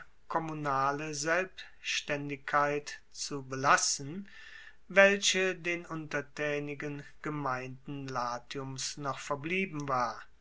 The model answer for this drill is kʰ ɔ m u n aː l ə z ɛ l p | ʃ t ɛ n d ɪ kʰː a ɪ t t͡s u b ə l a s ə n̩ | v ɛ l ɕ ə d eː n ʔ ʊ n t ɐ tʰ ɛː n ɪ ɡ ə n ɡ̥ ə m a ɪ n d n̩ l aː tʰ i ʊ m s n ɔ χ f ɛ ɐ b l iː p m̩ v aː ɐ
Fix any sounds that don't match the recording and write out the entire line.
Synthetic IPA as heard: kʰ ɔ m u n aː l ə z ɛ l p | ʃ t ɛ n d ɪ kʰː a ɪ t t͡s u b ə l a s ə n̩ | v ɛ l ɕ ə d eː n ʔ ʊ n t ɐ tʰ ɛː n ɪ ɡ ə n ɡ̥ ə m a ɪ n d n̩ l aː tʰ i ʊ m s n ɔ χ f ɛ ɐ b l iː b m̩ v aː ɐ